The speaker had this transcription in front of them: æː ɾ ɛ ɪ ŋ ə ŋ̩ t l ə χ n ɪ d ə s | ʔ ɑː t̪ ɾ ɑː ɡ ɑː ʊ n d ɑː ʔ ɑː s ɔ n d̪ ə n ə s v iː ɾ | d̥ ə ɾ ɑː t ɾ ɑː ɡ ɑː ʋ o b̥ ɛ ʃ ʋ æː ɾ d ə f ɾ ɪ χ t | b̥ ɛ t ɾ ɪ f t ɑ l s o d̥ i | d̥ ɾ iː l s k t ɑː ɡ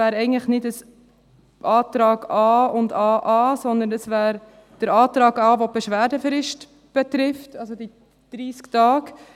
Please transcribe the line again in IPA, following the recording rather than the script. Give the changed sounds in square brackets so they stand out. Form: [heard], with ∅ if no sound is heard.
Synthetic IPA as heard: æː ɾ ɛ ɪ [ɡ] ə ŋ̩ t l ə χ n ɪ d ə s | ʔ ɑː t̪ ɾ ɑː ɡ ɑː ʊ n d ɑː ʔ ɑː s ɔ n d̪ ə n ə s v [æː] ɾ | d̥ ə ɾ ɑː t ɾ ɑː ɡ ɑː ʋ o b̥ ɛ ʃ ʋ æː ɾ d ə f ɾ ɪ [ʃ] t | b̥ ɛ t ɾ ɪ f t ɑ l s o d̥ i | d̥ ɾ iː [∅] s k t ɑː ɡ